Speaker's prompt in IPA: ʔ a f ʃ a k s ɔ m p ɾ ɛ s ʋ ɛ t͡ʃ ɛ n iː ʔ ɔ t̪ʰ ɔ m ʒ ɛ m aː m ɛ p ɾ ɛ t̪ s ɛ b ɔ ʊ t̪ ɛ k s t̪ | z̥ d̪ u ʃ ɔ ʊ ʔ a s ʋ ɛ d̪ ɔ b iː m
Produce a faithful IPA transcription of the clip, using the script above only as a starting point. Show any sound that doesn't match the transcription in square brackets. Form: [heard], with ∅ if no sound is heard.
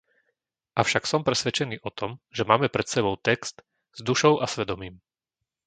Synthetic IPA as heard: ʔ a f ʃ a k s ɔ m p ɾ ɛ s ʋ ɛ t͡ʃ ɛ n iː ʔ ɔ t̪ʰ ɔ m ʒ ɛ m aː m ɛ p ɾ ɛ t̪ s ɛ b ɔ ʊ t̪ ɛ k s t̪ | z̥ d̪ u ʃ ɔ ʊ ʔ a s ʋ ɛ d̪ ɔ [m] iː m